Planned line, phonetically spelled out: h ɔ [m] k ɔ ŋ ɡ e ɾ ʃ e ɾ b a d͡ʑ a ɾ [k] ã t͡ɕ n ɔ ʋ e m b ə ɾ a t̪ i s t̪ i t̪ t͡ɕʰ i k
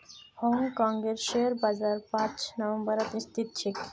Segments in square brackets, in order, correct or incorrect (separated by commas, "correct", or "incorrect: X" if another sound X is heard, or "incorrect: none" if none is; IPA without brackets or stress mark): incorrect: ŋ, incorrect: p